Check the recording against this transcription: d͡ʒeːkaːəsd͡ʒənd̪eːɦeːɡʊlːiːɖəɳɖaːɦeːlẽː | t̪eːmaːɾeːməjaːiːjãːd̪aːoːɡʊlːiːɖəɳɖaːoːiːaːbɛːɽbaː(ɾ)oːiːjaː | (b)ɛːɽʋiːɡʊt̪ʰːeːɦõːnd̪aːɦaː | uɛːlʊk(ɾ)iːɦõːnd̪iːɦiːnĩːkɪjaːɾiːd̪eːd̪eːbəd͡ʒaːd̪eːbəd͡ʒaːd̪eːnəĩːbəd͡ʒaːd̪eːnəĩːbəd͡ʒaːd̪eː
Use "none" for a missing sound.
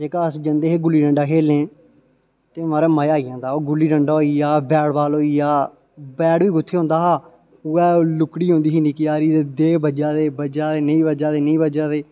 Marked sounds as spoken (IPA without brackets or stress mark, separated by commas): l, b, ɽ